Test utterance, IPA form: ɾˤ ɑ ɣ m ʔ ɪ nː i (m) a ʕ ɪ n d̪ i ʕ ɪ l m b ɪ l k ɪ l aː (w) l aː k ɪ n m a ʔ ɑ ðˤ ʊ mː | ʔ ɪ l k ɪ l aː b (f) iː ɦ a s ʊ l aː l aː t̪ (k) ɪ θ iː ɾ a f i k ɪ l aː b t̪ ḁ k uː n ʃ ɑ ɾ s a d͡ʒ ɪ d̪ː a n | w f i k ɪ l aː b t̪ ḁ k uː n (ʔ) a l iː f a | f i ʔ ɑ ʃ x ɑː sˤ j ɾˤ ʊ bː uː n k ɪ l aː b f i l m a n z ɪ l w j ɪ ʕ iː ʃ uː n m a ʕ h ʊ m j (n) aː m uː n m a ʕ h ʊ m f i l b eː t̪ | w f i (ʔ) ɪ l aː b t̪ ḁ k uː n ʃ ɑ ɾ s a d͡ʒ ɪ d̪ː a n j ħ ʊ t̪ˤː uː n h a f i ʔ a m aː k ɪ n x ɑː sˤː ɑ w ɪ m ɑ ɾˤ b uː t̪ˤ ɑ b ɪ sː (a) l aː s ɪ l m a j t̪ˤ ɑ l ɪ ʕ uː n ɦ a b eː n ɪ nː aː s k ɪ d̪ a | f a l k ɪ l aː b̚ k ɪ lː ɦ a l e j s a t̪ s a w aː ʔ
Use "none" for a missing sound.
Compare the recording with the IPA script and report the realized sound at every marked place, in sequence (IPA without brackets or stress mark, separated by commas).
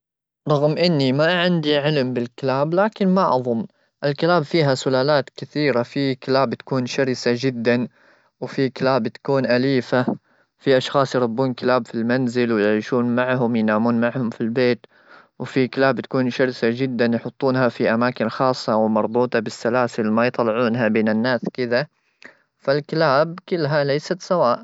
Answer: m, b, f, k, ʔ, n, k, a